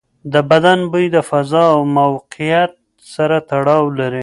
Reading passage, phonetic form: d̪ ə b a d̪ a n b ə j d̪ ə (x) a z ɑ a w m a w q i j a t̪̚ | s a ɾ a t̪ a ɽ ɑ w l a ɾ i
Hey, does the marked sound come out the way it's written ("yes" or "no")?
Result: no